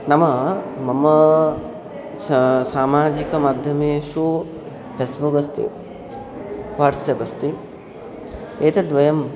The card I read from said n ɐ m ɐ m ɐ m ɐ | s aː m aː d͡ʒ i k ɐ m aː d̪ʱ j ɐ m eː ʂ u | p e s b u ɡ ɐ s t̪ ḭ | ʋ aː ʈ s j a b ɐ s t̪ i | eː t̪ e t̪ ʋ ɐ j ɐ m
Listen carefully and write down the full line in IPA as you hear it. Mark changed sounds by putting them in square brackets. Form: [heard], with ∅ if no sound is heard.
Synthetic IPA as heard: n ɐ m ɐ m ɐ m ɐ | s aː m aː d͡ʒ i k ɐ m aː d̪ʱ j ɐ m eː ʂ u | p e s b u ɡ ɐ s t̪ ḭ | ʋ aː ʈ s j [ɐ] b ɐ s t̪ i | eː t̪ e [d̪] ʋ ɐ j ɐ m